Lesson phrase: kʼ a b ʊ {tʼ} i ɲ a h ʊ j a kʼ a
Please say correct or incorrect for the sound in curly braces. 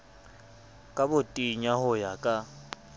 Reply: correct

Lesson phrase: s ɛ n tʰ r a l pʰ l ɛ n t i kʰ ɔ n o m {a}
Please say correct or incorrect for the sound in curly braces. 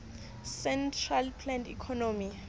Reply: incorrect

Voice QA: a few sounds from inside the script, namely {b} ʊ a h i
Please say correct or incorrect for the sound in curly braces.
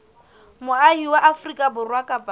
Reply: incorrect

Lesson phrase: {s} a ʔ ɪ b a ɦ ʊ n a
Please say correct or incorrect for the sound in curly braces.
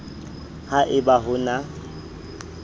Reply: incorrect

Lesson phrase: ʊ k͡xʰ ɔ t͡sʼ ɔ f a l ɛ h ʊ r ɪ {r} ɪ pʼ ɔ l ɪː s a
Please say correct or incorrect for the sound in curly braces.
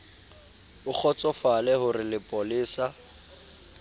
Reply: incorrect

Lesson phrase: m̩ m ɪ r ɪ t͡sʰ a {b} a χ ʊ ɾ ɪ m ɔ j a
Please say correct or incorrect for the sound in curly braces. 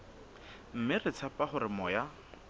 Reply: incorrect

